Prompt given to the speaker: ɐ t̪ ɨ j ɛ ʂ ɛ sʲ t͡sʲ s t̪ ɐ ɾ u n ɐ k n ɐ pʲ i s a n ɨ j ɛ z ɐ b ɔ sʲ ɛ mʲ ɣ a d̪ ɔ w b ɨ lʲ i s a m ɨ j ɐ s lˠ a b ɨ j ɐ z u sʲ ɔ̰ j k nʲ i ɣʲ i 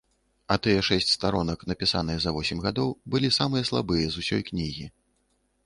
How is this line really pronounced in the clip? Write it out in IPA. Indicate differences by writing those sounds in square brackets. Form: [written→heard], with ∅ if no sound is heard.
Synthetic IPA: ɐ t̪ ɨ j ɛ ʂ ɛ sʲ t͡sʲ s t̪ [ɐ→a] ɾ [u→ɔ] n ɐ k n ɐ pʲ i s a n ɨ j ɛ z ɐ [b→v] ɔ sʲ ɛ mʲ ɣ a d̪ ɔ w b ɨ lʲ i s a m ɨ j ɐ s lˠ a b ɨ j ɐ z u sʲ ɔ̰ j k nʲ i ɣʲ i